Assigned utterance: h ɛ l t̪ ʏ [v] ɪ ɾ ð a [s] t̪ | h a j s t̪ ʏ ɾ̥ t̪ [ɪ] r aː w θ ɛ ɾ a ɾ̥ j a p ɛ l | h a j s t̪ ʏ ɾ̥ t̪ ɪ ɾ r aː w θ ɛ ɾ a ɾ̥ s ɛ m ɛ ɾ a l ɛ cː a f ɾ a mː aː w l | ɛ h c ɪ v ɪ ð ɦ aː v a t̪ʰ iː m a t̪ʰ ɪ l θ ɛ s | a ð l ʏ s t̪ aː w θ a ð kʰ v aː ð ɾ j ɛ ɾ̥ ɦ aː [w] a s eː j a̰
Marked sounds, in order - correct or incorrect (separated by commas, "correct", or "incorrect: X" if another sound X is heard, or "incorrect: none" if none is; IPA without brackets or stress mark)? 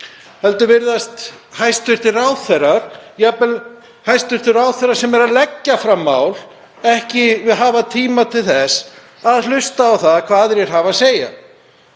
correct, correct, correct, incorrect: v